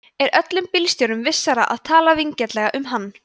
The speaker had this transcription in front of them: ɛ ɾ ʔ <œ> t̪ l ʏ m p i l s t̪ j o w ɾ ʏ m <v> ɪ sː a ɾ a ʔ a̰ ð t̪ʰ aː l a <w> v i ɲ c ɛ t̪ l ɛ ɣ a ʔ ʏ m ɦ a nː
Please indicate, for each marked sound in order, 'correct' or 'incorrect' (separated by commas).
correct, correct, incorrect